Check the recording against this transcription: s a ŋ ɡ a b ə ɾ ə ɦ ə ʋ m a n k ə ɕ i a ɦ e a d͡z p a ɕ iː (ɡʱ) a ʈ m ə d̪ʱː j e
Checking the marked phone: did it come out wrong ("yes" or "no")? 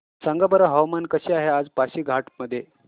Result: no